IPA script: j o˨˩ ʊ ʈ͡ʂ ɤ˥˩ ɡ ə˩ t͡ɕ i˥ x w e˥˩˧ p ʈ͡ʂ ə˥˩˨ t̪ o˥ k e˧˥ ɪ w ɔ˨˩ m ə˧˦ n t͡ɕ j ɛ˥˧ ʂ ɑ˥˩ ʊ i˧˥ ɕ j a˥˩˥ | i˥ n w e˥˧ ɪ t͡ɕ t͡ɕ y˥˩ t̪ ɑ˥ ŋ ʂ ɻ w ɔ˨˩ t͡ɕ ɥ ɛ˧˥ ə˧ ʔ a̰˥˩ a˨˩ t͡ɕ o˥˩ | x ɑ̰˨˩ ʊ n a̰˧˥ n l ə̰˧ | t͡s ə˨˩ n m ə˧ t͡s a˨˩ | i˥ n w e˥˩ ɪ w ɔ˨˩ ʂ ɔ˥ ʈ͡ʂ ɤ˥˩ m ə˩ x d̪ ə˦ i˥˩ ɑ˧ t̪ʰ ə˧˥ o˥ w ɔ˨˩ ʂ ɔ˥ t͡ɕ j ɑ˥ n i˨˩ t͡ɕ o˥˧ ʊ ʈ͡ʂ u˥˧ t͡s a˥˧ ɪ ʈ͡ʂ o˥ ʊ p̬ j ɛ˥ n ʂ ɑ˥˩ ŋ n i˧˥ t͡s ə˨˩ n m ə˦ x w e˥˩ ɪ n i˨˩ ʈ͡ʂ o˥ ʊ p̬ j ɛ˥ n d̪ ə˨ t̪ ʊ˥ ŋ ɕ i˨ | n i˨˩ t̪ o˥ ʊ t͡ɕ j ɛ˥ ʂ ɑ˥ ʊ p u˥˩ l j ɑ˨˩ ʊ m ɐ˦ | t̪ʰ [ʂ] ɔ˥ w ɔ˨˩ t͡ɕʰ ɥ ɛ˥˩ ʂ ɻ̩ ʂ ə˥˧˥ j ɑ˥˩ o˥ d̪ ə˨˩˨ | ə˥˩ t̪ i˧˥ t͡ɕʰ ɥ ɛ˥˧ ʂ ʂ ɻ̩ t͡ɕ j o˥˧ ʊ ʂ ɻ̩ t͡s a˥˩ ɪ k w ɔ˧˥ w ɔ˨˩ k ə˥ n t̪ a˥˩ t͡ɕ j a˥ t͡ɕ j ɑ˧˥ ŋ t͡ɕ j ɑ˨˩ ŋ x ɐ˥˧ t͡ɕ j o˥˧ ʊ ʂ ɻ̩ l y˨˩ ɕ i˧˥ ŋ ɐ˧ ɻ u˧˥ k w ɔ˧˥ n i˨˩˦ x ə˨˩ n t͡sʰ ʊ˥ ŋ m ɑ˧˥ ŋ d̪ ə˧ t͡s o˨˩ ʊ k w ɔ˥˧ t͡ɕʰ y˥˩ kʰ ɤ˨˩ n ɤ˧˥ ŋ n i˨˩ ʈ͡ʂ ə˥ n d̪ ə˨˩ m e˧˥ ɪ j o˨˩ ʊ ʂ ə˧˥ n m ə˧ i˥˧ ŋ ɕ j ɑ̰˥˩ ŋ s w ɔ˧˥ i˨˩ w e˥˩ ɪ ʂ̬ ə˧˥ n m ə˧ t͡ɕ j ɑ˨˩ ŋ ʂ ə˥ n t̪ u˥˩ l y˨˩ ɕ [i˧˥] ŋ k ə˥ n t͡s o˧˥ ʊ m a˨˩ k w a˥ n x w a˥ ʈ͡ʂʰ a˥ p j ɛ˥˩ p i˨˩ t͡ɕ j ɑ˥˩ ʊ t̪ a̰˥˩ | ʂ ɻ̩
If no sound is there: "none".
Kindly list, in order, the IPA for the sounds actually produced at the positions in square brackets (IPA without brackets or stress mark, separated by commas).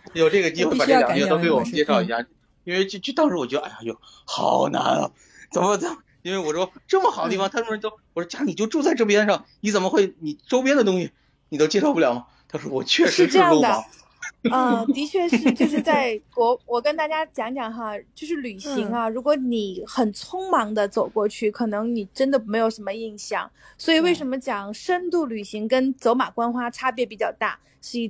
ʂ, i˧˥